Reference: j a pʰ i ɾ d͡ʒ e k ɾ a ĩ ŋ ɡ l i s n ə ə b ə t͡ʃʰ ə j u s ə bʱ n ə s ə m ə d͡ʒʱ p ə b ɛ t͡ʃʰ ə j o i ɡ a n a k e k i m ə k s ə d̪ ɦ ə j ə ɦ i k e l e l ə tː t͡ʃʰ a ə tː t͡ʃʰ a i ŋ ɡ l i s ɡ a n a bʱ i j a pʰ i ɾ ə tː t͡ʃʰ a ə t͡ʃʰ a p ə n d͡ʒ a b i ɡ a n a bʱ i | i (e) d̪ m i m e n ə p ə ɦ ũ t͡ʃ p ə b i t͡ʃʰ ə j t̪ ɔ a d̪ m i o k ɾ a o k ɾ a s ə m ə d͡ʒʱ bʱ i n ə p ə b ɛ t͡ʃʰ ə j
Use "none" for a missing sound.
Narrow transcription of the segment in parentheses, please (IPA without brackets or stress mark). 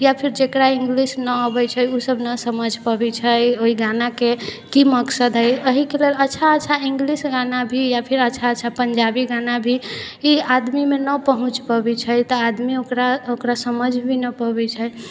a